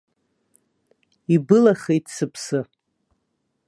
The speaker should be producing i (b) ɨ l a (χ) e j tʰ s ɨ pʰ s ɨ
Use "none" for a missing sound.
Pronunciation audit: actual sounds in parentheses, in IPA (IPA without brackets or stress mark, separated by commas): b, χ